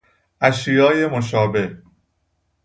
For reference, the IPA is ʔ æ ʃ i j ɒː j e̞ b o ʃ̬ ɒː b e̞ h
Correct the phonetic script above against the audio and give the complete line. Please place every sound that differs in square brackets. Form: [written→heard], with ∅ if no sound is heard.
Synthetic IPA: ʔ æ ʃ i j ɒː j e̞ [b→m] o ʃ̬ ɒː b e̞ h